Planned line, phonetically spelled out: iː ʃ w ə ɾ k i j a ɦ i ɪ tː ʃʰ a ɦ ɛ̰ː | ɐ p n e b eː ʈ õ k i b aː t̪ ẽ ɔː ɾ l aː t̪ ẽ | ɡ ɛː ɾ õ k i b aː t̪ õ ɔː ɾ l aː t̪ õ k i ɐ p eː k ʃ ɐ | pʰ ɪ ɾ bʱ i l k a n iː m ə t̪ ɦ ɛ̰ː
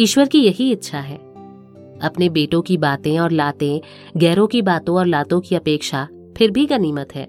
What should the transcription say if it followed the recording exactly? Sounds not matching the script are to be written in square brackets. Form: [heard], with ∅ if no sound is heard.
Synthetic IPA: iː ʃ w ə ɾ k i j [ɐ] ɦ i ɪ tː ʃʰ a ɦ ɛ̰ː | ɐ p n e b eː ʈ õ k i b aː t̪ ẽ ɔː ɾ l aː t̪ ẽ | ɡ ɛː ɾ õ k i b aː t̪ õ ɔː ɾ l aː t̪ õ k i ɐ p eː k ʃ [a] | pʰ ɪ ɾ bʱ i [∅] k a n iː m ə t̪ ɦ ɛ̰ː